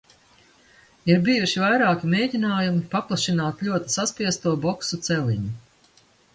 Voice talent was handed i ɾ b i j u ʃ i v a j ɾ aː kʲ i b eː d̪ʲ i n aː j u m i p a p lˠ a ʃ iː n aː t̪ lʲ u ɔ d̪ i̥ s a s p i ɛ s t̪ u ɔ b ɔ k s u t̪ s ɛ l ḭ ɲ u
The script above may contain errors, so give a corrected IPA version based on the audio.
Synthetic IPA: i ɾ b i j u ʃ i v a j ɾ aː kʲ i m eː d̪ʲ i n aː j u m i p a p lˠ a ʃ i n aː t̪ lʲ u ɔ t̪ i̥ s a s p i ɛ s t̪ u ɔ b ɔ k s u t̪ s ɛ l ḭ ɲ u